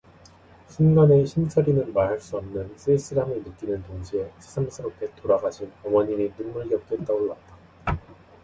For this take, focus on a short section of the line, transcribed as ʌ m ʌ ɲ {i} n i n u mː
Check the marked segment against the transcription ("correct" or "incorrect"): correct